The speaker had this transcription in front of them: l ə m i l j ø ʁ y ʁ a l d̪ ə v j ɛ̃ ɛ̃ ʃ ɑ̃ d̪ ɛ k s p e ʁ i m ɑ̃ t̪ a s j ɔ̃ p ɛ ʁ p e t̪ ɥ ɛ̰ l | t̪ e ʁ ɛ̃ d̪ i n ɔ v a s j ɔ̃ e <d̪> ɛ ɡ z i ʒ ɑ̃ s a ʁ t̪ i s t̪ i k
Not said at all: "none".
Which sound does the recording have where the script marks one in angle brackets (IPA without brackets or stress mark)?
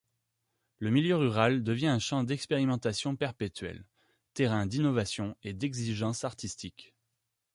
d̪